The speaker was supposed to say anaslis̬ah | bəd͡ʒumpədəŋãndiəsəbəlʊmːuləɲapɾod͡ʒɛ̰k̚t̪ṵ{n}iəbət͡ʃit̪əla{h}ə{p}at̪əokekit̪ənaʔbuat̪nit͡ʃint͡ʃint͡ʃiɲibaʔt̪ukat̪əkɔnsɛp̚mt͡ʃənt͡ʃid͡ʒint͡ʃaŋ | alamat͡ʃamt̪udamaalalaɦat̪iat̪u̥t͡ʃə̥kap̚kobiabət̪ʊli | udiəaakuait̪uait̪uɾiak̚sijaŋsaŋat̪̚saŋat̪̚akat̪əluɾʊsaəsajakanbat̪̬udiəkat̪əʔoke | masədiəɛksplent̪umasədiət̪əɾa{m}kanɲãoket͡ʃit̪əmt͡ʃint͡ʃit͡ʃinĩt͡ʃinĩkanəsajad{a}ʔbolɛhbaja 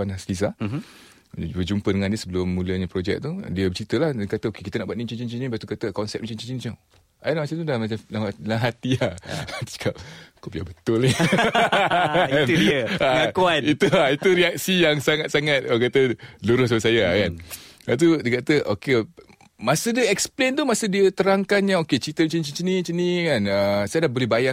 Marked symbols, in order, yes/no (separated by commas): no, yes, no, no, yes